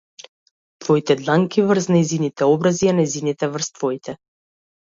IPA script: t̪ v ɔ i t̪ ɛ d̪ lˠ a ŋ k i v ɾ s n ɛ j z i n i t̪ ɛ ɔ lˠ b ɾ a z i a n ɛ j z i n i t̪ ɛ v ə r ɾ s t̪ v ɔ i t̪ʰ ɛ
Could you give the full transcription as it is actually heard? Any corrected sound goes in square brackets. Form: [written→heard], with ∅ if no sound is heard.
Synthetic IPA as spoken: t̪ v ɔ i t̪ ɛ d̪ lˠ a ŋ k i v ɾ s n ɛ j z i n i t̪ ɛ ɔ [lˠ→∅] b ɾ a z i a n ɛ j z i n i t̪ ɛ v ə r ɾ s t̪ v ɔ i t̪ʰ ɛ